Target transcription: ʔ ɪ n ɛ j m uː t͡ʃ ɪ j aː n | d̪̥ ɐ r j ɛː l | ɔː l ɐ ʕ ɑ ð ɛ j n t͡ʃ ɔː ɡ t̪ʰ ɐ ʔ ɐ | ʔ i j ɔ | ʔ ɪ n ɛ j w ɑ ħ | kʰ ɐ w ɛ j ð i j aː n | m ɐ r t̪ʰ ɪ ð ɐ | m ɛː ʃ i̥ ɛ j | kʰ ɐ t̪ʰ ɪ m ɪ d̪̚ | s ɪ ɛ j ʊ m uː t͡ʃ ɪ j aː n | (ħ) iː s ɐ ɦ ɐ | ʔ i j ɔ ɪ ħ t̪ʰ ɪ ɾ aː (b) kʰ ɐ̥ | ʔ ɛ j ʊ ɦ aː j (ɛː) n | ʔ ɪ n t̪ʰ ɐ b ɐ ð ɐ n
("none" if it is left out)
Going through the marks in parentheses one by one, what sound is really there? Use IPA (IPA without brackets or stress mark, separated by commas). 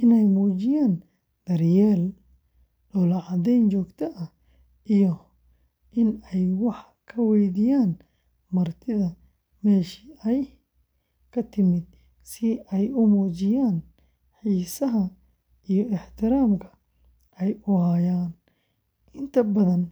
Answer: ħ, m, aː